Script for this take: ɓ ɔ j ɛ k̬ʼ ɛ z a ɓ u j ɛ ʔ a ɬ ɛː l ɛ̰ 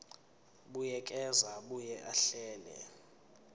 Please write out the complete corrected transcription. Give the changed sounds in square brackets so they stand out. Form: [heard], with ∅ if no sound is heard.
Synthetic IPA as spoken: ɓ [u] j ɛ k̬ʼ ɛ z a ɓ u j ɛ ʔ a ɬ ɛː l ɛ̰